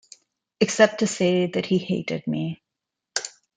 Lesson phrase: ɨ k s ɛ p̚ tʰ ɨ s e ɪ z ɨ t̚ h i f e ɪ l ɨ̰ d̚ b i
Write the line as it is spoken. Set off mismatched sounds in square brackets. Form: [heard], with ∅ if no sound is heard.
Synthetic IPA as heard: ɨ k s ɛ p̚ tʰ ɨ s e ɪ [ð] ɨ t̚ h i [h] e ɪ [ɾ] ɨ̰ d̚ [m] i